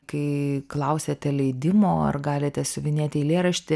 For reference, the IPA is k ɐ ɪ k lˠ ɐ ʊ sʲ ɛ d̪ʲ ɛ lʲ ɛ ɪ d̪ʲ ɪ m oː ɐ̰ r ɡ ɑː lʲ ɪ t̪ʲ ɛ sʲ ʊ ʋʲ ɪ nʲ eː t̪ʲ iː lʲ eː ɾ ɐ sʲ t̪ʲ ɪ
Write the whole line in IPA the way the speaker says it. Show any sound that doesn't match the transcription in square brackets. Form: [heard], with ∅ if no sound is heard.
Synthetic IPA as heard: k ɐ ɪ k lˠ ɐ ʊ sʲ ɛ [t̪ʲ] ɛ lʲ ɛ ɪ d̪ʲ ɪ m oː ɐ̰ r ɡ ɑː lʲ ɪ t̪ʲ ɛ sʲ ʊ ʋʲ ɪ nʲ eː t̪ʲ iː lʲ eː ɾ ɐ [ʃʲ] t̪ʲ ɪ